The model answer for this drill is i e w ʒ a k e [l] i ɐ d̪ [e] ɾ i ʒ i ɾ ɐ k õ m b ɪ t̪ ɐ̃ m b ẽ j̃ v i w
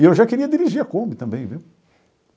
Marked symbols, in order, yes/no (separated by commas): no, no